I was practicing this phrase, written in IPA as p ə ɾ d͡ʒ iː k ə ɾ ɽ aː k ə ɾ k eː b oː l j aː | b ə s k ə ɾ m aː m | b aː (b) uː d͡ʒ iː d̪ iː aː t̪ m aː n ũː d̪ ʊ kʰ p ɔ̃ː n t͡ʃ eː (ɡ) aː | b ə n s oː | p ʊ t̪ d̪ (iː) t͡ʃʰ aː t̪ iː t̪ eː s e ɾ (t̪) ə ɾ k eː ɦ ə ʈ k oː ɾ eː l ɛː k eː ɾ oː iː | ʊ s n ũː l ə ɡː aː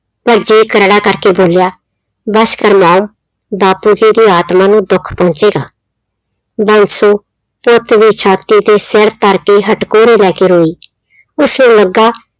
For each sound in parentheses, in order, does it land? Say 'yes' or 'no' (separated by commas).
no, yes, yes, yes